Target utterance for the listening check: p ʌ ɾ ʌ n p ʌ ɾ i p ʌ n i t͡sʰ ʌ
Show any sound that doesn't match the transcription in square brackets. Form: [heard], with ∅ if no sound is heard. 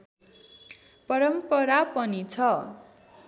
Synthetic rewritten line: p ʌ ɾ ʌ [m] p ʌ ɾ [a] p ʌ n i t͡sʰ ʌ